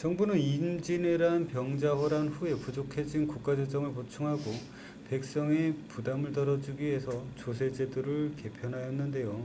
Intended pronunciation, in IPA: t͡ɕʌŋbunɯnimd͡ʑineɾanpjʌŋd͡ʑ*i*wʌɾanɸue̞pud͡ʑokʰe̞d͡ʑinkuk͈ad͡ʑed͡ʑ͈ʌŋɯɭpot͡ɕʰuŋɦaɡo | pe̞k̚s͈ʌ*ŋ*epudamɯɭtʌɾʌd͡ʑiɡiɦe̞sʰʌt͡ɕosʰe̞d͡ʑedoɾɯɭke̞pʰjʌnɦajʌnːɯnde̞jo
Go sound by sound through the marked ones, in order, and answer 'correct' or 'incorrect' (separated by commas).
incorrect, correct